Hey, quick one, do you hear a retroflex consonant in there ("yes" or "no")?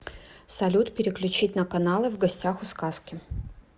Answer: no